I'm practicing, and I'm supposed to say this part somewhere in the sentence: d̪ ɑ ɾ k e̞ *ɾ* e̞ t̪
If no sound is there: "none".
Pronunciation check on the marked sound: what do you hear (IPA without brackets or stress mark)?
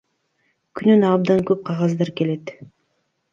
l